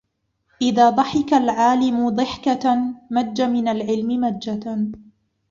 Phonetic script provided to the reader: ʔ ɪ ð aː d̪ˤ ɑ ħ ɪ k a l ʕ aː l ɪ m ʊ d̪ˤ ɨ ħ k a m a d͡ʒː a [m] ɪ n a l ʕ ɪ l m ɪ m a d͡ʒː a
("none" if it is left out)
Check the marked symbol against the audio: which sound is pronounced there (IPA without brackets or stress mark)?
m